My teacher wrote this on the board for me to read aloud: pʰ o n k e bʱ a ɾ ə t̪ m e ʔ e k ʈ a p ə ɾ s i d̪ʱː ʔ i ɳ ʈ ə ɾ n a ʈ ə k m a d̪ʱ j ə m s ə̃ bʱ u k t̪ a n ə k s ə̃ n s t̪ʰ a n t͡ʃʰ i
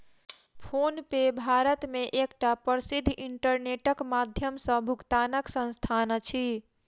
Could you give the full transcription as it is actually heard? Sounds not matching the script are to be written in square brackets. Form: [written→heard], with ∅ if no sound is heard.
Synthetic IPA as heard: pʰ o n [k→p] e bʱ a ɾ ə t̪ m e ʔ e k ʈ a p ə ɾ s i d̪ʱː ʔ i ɳ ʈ ə ɾ n [a→e] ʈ ə k m a d̪ʱ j ə m s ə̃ bʱ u k t̪ a n ə k s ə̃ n s t̪ʰ a n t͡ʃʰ i